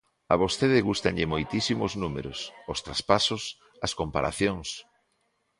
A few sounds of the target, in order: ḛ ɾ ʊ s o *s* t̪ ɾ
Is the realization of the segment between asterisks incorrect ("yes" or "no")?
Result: no